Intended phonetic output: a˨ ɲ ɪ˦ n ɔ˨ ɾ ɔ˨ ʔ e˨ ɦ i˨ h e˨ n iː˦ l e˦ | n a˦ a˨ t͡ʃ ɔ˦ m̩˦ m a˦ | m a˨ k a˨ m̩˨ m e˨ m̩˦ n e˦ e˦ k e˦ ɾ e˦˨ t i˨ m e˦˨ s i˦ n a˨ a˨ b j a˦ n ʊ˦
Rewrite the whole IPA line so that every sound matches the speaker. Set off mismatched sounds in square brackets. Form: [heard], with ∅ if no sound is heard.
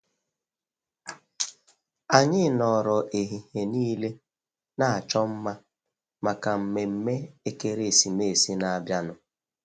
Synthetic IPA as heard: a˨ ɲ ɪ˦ n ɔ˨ ɾ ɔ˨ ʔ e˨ ɦ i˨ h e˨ n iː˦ l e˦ | n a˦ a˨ t͡ʃ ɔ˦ m̩˦ m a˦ | m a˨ k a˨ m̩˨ m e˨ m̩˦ [m] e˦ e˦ k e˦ ɾ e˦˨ [s] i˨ m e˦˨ s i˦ n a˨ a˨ b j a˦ n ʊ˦